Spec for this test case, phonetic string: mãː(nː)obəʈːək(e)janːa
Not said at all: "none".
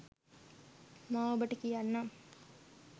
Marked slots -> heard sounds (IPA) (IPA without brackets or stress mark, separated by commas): none, i